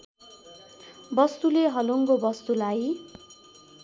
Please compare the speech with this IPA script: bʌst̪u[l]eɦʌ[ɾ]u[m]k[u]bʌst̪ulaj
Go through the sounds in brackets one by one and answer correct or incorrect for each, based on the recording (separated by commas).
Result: correct, incorrect, incorrect, incorrect